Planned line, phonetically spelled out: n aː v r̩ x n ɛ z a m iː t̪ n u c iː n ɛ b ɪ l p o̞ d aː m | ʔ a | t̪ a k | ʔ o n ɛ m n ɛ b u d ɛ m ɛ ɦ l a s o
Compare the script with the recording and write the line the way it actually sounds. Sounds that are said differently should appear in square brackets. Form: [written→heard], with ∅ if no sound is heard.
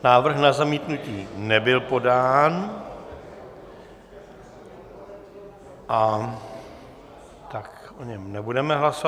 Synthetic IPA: n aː v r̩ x n [ɛ→a] z a m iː t̪ n u c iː n ɛ b ɪ l p o̞ d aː [m→n] | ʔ a | t̪ a k | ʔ o [n→ɲ] ɛ m n ɛ b u d ɛ m ɛ ɦ l a s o

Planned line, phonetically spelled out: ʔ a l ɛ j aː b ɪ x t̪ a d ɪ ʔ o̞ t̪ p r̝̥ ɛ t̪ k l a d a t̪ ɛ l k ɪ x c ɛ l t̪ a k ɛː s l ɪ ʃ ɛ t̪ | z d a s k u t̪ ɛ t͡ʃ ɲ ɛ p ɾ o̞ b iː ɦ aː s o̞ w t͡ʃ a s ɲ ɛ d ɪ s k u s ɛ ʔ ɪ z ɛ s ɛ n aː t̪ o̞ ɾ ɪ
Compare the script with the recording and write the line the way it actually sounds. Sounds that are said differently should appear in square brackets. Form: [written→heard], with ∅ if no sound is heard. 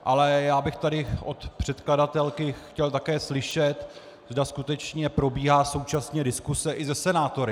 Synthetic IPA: ʔ a l ɛ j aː b ɪ x t̪ a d ɪ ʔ o̞ t̪ p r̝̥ ɛ t̪ k l a d a t̪ ɛ l k ɪ x c ɛ l t̪ a k ɛː s l ɪ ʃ ɛ t̪ | z d a s k u t̪ ɛ t͡ʃ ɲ ɛ p ɾ o̞ b iː ɦ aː s o̞ w t͡ʃ a s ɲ ɛ d ɪ s k u s ɛ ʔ ɪ z ɛ s ɛ n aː t̪ o̞ ɾ ɪ

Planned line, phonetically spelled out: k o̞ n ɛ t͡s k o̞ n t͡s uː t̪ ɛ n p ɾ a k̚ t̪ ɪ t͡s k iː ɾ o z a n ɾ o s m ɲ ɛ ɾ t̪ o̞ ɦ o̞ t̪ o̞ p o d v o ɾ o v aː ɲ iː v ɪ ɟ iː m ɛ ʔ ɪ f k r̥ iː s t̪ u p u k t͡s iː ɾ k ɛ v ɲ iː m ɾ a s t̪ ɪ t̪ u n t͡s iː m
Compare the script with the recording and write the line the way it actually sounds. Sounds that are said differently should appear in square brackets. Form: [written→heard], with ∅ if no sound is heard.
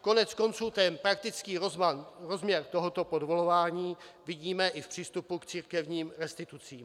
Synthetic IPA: k o̞ n ɛ t͡s k o̞ n t͡s uː t̪ ɛ n p ɾ a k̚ t̪ ɪ t͡s k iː ɾ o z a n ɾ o [s→z] m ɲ ɛ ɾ t̪ o̞ ɦ o̞ t̪ o̞ p o d v o [ɾ→l] o v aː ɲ iː v ɪ ɟ iː m ɛ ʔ ɪ f [k→p] r̥ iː s t̪ u p u k t͡s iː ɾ k ɛ v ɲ iː m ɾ [a→ɛ] s t̪ ɪ t̪ u [n→∅] t͡s iː m

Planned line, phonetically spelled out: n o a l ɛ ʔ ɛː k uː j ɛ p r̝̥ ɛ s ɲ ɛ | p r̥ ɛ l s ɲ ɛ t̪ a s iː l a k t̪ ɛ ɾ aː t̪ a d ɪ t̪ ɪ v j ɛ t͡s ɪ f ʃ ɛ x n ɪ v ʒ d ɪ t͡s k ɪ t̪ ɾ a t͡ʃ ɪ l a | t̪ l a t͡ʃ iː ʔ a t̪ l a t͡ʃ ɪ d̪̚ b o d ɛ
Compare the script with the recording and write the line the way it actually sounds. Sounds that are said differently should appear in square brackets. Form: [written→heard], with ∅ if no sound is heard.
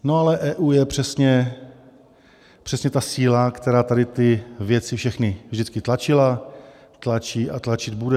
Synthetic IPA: n o a l ɛ ʔ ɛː [k→ʔ] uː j ɛ p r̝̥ ɛ s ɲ ɛ | p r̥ ɛ [l→∅] s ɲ ɛ t̪ a s iː l a k t̪ ɛ ɾ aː t̪ a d ɪ t̪ ɪ v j ɛ t͡s ɪ f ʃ ɛ x n ɪ v ʒ d ɪ t͡s k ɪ t̪ [ɾ→l] a t͡ʃ ɪ l a | t̪ l a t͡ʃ iː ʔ a t̪ l a t͡ʃ ɪ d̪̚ b [o→u] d ɛ

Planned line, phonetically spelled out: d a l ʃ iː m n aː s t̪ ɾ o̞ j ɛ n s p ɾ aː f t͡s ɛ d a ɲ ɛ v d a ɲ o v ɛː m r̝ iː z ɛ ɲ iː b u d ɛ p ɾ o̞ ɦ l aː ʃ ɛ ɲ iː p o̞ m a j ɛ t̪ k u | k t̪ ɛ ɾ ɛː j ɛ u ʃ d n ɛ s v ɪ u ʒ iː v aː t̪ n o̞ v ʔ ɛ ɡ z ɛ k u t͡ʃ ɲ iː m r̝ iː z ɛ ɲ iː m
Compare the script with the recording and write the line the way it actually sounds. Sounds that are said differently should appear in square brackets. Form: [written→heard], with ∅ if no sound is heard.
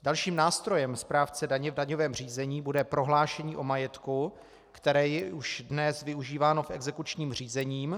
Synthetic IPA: d a l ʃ iː m n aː s t̪ ɾ o̞ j ɛ [n→m] s p ɾ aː f t͡s ɛ d a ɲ ɛ v d a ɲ o v ɛː m r̝ iː z ɛ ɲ iː b u d ɛ p ɾ o̞ ɦ l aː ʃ ɛ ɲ iː [p→ʔ] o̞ m a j ɛ t̪ k u | k t̪ ɛ ɾ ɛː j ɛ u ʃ d n ɛ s v ɪ u ʒ iː v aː [t̪→∅] n o̞ [v→f] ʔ ɛ ɡ z ɛ k u t͡ʃ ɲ iː m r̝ iː z ɛ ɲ iː m

